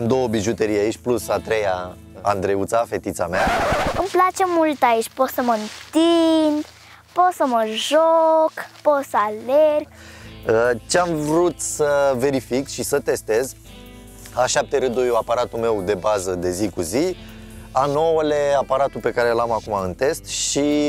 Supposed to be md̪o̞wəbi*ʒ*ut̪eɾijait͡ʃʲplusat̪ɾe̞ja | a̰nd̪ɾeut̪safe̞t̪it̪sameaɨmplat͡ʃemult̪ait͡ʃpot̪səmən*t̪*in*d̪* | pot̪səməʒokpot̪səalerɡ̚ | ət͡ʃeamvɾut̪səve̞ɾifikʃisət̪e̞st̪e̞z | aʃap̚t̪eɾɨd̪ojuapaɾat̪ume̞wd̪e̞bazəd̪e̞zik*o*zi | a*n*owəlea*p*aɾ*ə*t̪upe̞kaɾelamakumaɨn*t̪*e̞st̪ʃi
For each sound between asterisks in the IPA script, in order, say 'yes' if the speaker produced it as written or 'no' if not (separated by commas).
yes, yes, yes, no, yes, yes, no, yes